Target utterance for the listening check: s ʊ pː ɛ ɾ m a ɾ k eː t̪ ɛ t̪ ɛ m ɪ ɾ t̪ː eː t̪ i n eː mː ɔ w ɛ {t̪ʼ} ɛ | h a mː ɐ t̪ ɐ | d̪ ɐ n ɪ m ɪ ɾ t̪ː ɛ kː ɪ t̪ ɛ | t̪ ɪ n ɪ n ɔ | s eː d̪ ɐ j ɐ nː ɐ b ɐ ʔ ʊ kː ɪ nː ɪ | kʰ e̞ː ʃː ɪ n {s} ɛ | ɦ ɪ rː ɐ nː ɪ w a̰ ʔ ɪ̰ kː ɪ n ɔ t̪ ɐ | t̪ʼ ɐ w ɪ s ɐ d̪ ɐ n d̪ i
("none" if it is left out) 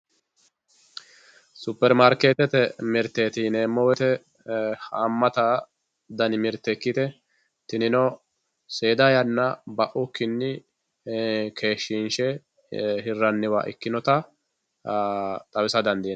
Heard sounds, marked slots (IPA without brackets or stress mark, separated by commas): t̪, ʃ